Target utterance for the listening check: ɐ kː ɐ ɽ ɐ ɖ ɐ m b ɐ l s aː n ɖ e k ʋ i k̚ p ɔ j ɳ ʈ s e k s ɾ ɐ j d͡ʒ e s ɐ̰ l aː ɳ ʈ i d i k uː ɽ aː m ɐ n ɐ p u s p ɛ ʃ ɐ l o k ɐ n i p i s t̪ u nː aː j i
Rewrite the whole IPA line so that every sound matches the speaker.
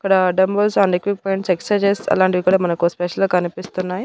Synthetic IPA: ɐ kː ɐ ɽ ɐ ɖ ɐ m b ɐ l s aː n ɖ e k ʋ i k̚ p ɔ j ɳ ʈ s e k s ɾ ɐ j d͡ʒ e s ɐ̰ l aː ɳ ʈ i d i k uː ɽ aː m ɐ n ɐ k u s p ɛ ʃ ɐ l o k ɐ n i p i s t̪ u nː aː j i